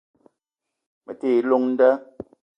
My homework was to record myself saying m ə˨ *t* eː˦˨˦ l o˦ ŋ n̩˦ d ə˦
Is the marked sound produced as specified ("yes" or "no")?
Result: yes